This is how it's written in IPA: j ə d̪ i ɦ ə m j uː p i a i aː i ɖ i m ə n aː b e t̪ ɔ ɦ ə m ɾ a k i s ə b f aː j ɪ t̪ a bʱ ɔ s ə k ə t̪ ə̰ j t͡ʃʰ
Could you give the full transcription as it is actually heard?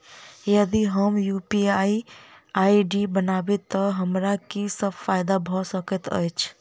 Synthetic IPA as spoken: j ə d̪ i ɦ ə m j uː p i a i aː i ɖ i b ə n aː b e t̪ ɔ ɦ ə m ɾ a k i s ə b f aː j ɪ d̪ a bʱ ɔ s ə k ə t̪ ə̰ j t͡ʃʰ